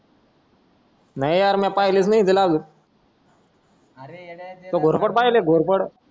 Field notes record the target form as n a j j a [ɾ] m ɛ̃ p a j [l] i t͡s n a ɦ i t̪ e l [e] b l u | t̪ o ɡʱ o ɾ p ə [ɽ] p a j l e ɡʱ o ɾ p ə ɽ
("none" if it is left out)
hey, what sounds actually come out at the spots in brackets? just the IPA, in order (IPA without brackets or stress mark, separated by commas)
ɾ, l, a, ɽ